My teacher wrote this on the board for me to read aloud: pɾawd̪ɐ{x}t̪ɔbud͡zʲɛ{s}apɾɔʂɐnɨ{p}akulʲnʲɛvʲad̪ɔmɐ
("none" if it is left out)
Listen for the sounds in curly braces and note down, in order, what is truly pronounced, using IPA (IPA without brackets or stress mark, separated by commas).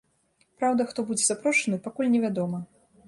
x, z, p